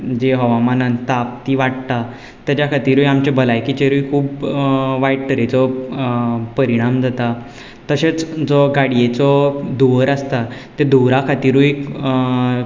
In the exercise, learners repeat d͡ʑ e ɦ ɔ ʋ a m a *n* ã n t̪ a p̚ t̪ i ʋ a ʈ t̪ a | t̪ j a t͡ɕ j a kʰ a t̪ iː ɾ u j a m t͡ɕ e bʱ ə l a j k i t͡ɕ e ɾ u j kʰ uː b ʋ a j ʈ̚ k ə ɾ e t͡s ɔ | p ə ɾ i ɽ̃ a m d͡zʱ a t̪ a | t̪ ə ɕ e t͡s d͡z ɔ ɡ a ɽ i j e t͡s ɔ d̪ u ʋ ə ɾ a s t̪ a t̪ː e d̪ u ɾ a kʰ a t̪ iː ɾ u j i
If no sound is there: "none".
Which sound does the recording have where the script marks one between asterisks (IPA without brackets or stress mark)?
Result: n